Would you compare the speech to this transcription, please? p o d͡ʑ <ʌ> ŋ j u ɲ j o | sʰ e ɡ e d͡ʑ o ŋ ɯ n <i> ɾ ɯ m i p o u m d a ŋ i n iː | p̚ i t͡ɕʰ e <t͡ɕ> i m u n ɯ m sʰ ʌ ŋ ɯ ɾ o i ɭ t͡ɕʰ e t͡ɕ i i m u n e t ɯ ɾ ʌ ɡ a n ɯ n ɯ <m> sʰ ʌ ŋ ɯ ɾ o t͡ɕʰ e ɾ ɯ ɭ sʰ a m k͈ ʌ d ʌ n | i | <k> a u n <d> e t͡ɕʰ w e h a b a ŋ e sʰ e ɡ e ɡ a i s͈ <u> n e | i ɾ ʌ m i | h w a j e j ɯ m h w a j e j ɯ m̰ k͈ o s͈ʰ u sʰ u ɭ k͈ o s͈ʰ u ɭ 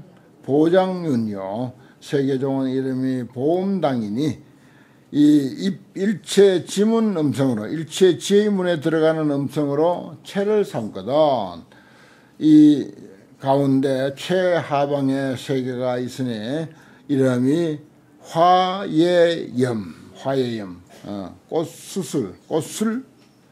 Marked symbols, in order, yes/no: no, yes, yes, yes, yes, yes, no

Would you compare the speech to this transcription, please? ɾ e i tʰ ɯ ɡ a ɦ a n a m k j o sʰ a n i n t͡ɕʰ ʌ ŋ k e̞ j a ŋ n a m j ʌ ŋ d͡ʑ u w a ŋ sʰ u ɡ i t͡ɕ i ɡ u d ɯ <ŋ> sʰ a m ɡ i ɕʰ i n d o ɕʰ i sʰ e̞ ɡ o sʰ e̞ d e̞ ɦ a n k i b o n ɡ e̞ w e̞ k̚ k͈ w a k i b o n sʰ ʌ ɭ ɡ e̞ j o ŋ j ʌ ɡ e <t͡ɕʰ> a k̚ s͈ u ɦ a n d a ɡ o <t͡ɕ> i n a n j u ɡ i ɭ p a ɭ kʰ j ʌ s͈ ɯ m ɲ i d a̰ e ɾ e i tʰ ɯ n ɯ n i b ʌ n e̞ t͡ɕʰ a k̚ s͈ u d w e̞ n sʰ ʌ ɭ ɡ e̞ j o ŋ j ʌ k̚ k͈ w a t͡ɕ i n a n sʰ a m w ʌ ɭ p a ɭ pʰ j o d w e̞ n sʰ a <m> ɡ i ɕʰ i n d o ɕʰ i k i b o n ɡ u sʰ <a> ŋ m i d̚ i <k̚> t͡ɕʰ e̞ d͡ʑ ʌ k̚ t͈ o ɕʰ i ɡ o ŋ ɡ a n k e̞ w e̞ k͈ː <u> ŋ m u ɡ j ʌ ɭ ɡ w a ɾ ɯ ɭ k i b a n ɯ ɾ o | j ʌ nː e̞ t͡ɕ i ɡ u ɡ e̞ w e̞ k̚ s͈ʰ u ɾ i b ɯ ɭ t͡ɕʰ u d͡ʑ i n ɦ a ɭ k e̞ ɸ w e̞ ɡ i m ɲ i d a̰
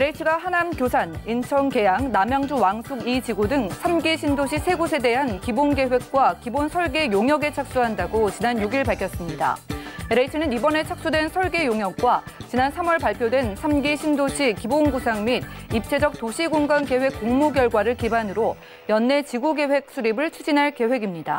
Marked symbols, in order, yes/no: yes, yes, yes, yes, yes, no, no

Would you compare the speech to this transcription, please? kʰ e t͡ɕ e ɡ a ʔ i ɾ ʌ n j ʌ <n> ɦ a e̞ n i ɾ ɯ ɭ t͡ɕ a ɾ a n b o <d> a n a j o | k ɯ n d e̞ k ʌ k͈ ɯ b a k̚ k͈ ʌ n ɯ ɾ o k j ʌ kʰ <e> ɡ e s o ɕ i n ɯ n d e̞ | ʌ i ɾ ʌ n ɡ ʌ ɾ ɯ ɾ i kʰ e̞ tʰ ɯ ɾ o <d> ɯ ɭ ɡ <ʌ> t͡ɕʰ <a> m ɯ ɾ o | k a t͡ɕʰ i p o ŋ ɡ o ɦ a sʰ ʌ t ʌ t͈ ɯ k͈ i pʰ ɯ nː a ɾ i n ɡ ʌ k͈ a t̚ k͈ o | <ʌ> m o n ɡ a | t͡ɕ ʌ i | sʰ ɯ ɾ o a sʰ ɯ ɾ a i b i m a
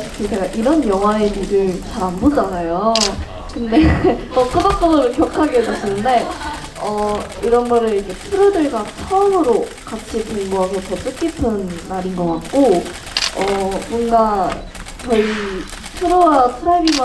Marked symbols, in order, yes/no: no, no, no, yes, no, no, yes

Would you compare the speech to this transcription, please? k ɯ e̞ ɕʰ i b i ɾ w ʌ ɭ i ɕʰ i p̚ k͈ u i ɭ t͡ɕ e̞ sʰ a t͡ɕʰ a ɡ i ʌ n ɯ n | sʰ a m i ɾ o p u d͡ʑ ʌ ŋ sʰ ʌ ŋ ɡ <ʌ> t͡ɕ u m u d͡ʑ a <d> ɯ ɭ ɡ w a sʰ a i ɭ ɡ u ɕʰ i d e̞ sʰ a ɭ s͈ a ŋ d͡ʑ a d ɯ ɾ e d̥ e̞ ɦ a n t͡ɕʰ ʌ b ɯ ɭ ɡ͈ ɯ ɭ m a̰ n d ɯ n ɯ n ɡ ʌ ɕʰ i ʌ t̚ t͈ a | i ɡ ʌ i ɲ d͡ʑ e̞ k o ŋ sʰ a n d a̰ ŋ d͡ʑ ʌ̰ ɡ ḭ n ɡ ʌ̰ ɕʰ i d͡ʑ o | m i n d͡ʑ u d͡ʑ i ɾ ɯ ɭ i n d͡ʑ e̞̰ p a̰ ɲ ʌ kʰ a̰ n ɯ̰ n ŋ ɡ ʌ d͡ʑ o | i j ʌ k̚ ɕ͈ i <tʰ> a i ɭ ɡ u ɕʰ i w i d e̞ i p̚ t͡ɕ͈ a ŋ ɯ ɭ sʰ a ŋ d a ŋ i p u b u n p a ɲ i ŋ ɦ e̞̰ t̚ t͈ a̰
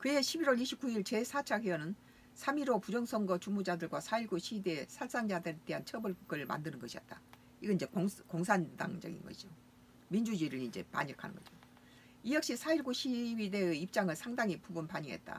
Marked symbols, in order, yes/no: yes, yes, no

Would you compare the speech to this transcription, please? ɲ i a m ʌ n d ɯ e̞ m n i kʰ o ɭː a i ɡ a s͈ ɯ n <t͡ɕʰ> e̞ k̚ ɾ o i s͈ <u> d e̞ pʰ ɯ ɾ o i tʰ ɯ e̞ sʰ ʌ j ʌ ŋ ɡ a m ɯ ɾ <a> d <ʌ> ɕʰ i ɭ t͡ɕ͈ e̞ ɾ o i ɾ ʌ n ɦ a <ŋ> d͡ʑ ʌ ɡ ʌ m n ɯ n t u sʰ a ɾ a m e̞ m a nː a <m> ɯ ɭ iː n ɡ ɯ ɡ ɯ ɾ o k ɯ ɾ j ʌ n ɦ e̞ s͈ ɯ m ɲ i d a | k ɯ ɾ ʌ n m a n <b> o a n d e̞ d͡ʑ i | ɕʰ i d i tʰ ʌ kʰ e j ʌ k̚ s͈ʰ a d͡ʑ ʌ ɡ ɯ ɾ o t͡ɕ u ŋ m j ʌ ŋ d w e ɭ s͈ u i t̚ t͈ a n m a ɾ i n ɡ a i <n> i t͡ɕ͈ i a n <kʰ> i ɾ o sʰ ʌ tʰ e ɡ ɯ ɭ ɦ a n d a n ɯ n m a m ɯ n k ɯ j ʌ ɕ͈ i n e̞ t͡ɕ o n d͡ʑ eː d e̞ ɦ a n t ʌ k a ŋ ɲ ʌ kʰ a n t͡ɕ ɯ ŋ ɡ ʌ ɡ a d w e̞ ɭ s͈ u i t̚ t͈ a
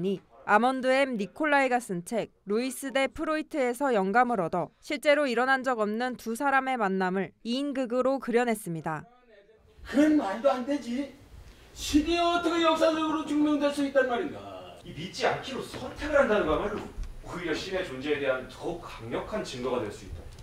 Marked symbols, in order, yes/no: yes, no, no, yes, no, yes, no, no, yes

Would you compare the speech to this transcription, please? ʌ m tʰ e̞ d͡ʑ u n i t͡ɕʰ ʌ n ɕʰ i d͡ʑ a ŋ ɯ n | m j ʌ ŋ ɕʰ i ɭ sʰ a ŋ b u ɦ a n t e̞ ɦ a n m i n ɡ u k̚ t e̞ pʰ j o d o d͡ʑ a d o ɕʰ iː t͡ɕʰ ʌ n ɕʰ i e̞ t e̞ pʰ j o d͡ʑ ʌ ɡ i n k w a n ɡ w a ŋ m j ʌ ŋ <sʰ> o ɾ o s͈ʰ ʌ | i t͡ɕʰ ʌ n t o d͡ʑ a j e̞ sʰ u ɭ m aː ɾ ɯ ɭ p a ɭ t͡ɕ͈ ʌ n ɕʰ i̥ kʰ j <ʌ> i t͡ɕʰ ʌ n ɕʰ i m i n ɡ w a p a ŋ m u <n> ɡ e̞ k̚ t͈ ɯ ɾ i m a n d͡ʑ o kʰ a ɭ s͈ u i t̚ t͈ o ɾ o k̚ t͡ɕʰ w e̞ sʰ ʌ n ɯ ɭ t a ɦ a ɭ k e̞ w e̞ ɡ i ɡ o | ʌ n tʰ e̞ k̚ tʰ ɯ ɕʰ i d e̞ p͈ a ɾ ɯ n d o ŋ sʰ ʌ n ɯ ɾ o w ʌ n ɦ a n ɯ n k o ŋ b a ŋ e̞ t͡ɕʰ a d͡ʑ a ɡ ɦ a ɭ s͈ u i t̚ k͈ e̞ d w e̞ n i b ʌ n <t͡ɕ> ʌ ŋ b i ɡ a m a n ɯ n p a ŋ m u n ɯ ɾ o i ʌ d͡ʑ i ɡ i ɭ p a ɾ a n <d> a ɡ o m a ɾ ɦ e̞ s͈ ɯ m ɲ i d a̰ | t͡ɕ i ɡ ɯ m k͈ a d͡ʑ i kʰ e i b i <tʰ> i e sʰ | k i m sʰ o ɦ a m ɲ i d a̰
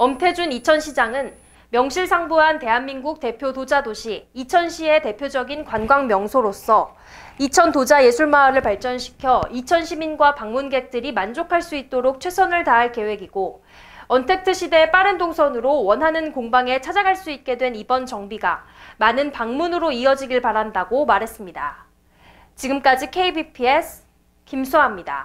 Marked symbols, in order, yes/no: yes, yes, yes, yes, yes, no

